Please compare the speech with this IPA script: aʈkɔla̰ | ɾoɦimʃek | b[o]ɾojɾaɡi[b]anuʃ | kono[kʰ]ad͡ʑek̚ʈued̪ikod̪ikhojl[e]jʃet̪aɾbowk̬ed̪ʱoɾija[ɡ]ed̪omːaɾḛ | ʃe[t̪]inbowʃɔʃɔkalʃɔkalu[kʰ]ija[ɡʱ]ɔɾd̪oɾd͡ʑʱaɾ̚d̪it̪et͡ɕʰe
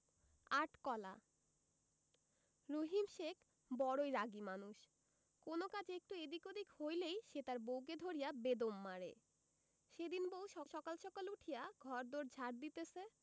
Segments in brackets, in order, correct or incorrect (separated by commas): incorrect, incorrect, incorrect, correct, incorrect, incorrect, incorrect, correct